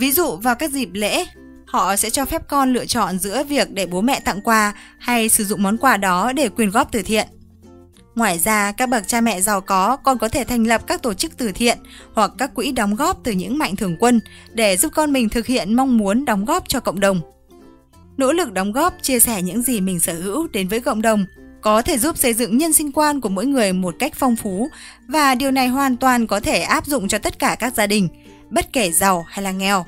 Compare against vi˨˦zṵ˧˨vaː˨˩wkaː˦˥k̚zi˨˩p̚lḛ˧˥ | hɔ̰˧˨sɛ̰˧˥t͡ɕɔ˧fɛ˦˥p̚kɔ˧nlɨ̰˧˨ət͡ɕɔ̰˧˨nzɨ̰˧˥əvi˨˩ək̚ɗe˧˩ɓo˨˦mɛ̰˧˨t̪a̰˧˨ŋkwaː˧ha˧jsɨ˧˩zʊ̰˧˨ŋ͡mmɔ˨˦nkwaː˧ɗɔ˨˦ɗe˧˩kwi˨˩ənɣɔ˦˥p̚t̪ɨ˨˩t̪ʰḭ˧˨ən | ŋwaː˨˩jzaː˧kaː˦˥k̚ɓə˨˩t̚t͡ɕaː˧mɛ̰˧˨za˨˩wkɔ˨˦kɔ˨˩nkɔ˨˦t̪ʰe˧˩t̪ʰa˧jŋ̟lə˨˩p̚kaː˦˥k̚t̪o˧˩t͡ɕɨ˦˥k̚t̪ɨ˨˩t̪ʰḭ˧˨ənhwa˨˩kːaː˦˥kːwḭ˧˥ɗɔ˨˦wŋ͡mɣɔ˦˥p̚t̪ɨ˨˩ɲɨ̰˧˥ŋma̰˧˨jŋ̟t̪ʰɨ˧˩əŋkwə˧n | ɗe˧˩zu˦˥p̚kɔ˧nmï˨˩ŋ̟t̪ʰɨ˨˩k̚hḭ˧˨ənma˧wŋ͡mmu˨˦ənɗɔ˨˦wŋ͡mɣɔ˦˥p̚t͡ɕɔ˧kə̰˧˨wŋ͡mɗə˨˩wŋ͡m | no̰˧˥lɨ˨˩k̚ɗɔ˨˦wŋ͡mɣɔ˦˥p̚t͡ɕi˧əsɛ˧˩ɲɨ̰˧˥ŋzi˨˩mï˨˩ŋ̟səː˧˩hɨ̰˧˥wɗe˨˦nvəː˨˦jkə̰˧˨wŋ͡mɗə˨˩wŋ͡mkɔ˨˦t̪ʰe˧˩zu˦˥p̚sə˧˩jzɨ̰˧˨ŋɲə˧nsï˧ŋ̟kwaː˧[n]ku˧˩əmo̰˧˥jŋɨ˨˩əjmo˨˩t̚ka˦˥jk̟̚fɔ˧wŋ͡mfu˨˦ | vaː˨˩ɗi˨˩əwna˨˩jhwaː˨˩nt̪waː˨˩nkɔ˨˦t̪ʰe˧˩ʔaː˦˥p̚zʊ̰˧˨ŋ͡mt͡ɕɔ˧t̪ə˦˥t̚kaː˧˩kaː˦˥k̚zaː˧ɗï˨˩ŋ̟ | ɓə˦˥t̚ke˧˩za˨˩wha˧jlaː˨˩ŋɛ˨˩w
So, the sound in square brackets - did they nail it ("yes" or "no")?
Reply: yes